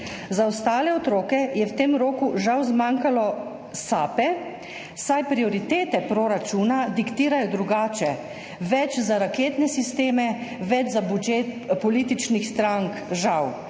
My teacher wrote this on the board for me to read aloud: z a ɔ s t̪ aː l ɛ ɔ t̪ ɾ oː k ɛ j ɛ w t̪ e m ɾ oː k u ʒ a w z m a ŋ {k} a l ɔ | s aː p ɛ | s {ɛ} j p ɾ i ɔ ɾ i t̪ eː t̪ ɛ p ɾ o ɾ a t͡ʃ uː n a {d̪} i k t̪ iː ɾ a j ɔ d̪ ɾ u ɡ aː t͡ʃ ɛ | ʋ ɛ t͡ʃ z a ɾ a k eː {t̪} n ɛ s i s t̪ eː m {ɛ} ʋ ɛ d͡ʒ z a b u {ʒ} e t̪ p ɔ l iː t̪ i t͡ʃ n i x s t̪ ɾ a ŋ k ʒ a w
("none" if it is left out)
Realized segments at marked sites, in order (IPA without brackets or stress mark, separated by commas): k, a, d̪, t̪, ɛ, d͡ʒ